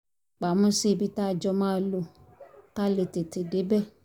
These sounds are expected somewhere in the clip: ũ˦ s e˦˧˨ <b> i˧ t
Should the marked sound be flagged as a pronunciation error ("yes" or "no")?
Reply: no